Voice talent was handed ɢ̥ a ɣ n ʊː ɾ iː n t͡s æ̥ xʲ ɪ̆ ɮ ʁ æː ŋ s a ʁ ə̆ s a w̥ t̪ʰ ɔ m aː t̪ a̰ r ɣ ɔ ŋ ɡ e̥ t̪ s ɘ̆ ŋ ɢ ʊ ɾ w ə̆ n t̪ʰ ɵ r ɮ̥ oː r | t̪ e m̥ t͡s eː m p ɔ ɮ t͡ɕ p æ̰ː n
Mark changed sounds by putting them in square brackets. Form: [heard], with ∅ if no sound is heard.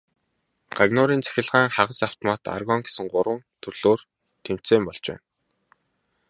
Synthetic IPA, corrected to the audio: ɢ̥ a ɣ n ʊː ɾ iː n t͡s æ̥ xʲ ɪ̆ ɮ ʁ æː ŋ [χ] a ʁ ə̆ s a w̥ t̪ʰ ɔ m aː t̪ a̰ r ɣ ɔ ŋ ɡ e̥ [∅] s ɘ̆ ŋ ɢ ʊ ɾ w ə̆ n t̪ʰ ɵ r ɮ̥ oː r | [t̪ʰ] e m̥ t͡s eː m p ɔ ɮ t͡ɕ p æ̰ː n